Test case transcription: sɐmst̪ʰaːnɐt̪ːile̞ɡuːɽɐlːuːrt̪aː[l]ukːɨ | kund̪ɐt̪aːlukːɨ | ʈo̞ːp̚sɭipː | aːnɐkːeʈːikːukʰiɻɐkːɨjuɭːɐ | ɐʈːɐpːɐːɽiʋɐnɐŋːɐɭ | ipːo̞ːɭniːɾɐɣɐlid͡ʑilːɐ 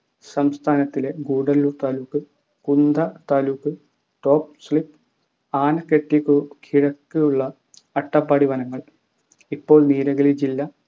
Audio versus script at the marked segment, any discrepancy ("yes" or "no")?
no